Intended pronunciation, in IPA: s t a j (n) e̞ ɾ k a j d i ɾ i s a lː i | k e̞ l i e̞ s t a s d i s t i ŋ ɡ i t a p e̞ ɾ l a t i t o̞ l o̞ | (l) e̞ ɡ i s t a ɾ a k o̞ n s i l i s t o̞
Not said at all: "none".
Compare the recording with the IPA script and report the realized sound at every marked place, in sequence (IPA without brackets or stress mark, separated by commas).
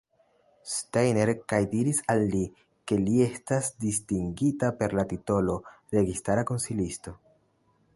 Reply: n, ɾ